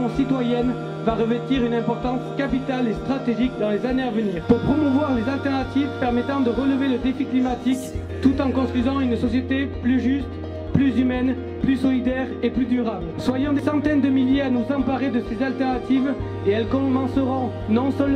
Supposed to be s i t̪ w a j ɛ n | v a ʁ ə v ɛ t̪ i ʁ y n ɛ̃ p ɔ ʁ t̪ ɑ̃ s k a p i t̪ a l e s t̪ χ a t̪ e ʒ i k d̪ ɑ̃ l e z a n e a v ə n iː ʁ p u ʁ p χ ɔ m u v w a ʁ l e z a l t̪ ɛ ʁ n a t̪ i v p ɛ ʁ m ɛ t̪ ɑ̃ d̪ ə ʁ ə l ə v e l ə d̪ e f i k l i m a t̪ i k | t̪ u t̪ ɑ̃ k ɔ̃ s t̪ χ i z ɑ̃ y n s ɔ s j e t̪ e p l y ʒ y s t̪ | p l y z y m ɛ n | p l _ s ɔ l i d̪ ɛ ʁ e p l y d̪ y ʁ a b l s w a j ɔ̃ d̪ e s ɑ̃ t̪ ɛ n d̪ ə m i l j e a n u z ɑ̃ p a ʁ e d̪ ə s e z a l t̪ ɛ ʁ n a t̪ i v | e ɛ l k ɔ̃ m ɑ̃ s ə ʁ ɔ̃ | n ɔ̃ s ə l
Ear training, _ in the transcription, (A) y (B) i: A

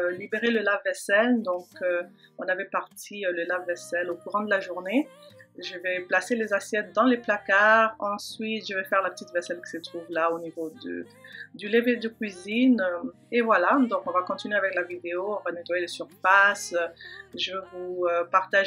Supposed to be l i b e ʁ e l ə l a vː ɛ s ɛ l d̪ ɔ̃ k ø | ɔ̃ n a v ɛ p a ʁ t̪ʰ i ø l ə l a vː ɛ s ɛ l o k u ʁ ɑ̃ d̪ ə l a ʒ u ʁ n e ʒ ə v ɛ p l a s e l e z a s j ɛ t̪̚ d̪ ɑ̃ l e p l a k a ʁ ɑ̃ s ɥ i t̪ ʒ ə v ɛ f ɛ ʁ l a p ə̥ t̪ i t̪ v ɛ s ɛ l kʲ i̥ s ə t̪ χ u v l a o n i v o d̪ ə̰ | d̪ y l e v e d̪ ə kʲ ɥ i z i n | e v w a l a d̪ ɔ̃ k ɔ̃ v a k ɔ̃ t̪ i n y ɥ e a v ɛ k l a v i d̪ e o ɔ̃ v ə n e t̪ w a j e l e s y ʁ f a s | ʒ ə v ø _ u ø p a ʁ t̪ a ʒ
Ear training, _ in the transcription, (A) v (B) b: A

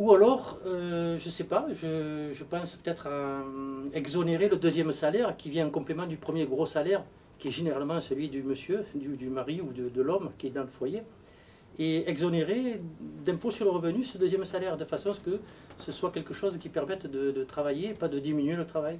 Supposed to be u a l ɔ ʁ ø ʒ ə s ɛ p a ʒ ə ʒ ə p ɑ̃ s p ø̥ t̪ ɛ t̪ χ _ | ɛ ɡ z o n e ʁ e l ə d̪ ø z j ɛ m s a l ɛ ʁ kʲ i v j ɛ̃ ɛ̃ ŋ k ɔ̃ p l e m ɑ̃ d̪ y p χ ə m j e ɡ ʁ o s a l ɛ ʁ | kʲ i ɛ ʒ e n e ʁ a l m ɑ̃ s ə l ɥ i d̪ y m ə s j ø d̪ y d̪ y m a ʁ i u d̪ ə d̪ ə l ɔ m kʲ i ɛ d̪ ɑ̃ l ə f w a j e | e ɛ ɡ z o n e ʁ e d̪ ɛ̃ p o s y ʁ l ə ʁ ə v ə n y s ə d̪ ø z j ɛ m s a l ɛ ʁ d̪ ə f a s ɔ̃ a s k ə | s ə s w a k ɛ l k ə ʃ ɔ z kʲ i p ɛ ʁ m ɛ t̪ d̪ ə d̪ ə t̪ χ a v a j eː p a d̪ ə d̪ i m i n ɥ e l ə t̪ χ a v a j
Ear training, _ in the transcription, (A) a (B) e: A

